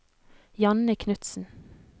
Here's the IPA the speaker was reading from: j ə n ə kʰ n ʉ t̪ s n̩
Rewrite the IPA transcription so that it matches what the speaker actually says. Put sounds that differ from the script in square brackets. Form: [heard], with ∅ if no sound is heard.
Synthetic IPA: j [ɑ] n ə kʰ n ʉ t̪ s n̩

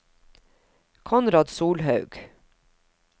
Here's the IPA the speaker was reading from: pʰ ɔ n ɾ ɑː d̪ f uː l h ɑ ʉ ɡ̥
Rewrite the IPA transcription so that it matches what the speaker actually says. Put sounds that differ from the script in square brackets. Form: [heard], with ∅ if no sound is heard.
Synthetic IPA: [kʰ] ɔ n ɾ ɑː d̪ [s] uː l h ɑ ʉ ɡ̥

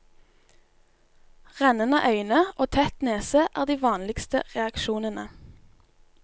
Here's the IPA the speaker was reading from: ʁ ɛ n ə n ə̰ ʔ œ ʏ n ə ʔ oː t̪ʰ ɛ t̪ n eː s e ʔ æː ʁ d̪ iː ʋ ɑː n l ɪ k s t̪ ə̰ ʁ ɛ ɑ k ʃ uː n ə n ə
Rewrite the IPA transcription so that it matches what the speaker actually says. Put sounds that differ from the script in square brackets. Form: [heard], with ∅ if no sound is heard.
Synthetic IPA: ʁ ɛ n ə n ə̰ ʔ œ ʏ n ə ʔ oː t̪ʰ ɛ t̪ n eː s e ʔ æː ʁ d̪ iː ʋ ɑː n l ɪ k s t̪ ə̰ ʁ ɛ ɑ k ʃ uː n ə n ə

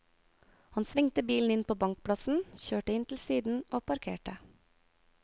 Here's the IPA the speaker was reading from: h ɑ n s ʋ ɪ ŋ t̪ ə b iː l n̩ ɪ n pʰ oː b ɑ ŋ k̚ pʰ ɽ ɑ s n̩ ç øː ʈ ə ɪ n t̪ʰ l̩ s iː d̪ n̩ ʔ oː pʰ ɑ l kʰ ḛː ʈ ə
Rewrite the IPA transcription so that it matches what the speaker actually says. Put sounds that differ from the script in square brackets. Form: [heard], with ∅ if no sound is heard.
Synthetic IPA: h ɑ n s ʋ ɪ ŋ t̪ ə b iː l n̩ ɪ n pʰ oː b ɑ ŋ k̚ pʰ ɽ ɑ s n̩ ç øː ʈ ə ɪ n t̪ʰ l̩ s iː d̪ n̩ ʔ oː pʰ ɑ [ɾ] kʰ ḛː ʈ ə

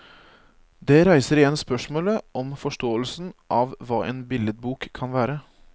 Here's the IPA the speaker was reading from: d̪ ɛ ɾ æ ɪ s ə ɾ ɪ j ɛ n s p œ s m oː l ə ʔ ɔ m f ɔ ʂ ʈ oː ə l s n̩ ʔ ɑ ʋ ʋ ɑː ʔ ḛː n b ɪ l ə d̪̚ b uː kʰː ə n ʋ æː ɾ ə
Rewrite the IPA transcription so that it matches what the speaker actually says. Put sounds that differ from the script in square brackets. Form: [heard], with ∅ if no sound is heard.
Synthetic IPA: d̪ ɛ ɾ æ ɪ s ə ɾ ɪ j ɛ n s p œ [ʂ] m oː l ə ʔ ɔ m f ɔ ʂ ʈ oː ə l s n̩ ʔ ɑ ʋ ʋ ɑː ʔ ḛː n b ɪ l ə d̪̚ b uː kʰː [ɑ] n ʋ æː ɾ ə

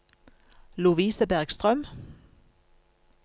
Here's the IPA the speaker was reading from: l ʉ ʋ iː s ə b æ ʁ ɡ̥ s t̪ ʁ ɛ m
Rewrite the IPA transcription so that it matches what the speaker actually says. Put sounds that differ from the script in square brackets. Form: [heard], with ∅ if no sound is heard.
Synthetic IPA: l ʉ ʋ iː s ə b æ ʁ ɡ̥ s t̪ ʁ [œ] m

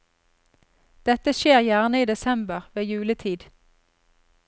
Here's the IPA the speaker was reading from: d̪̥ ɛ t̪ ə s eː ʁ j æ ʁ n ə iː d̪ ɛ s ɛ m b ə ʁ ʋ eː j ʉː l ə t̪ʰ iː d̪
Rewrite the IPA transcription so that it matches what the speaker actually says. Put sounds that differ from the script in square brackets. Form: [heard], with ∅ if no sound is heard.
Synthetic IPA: d̪̥ ɛ t̪ ə [ʃ] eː ʁ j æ ʁ n ə iː d̪ ɛ s ɛ m b ə ʁ ʋ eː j ʉː l ə t̪ʰ iː d̪

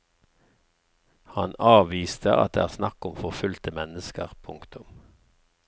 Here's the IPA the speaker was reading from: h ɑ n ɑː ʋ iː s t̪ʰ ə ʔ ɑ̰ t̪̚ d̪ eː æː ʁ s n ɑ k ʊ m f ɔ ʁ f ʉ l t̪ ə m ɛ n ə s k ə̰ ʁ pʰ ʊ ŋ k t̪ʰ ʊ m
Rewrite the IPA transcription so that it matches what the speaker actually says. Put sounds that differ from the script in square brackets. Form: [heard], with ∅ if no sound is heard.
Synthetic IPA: h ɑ n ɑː ʋ iː s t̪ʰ ə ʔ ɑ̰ t̪̚ d̪ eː æː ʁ s n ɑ k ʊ m f ɔ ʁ f ʉ l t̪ ə m ɛ n ə s k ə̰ ʁ pʰ ʊ ŋ k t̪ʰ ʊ m

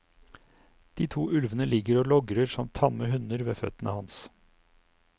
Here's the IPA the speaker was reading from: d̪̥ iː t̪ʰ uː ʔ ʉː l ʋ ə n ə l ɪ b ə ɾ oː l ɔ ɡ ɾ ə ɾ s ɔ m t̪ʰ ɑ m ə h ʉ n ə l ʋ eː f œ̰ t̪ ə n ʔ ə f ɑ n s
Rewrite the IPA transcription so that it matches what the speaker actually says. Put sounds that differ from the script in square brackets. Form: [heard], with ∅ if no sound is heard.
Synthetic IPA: d̪̥ iː t̪ʰ uː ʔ [ʉ] l ʋ ə n ə l ɪ [ɡ] ə ɾ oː l ɔ ɡ ɾ ə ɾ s ɔ m t̪ʰ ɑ m ə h ʉ n ə [ɾ] ʋ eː f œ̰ t̪ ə n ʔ ə [h] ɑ n s

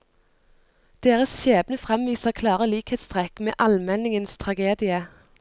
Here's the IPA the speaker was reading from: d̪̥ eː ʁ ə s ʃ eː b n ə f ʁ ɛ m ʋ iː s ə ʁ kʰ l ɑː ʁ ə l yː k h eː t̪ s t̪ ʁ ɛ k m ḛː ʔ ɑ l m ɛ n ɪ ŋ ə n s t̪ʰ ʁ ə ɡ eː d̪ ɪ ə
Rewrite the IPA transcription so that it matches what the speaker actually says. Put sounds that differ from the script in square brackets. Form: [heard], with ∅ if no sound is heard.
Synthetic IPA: d̪̥ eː ʁ ə s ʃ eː b n ə f ʁ ɛ m ʋ iː s ə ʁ kʰ l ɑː ʁ ə l [iː] k h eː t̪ s t̪ ʁ ɛ k m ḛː ʔ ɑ l m ɛ n ɪ ŋ ə n s t̪ʰ ʁ [ɑ] ɡ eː d̪ ɪ ə

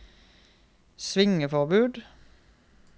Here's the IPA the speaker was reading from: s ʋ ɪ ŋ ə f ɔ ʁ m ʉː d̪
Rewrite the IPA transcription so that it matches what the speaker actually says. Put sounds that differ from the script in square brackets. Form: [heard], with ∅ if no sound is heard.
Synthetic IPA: s ʋ ɪ ŋ ə f ɔ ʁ [b] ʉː d̪

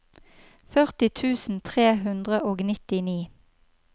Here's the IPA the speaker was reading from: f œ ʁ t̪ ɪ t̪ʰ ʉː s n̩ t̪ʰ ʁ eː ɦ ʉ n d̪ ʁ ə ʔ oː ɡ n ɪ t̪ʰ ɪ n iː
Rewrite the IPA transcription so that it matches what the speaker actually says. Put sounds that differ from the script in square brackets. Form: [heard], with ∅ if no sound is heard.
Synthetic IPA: f œ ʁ t̪ ɪ t̪ʰ ʉː s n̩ t̪ʰ ʁ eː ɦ ʉ n d̪ ʁ ə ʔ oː ɡ n ɪ [t̪] ɪ n iː

